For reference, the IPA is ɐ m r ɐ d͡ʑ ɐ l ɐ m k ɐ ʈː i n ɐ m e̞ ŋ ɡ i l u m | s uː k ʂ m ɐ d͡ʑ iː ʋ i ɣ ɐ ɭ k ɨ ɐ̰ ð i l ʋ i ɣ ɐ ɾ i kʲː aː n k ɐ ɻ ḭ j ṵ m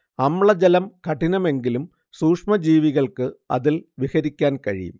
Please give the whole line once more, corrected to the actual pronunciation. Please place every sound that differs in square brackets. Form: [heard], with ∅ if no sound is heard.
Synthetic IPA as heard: ɐ m [ɭ] ɐ d͡ʑ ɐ l ɐ m k ɐ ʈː i n ɐ m e̞ ŋ ɡ i l u m | s uː k ʂ m ɐ d͡ʑ iː ʋ i ɣ ɐ ɭ k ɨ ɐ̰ ð i l ʋ i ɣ ɐ ɾ i kʲː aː n k ɐ ɻ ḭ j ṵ m